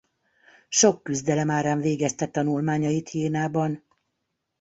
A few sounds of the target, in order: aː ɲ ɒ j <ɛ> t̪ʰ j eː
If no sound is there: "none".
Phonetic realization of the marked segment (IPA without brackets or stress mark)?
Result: i